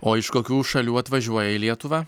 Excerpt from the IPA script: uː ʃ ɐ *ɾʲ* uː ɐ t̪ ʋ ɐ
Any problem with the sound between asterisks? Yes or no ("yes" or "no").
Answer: yes